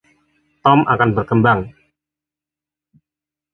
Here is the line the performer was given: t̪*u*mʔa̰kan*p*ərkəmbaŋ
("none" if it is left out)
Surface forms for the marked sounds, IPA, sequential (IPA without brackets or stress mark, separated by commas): ɔ, b